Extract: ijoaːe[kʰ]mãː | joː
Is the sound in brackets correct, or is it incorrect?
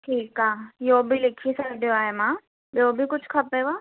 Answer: incorrect